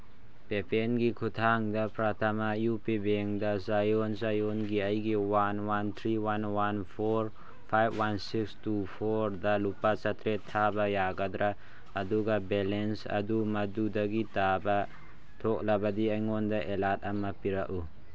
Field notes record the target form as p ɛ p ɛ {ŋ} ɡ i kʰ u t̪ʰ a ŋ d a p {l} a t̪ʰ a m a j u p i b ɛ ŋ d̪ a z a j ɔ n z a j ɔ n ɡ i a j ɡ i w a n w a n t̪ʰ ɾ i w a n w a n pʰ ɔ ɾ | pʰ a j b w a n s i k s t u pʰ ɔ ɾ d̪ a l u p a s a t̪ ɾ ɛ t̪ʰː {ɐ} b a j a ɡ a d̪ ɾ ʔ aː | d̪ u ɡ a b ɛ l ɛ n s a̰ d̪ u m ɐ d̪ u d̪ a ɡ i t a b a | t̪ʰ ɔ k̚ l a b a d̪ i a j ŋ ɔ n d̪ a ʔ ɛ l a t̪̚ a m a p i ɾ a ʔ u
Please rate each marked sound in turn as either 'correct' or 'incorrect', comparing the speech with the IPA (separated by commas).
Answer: incorrect, incorrect, incorrect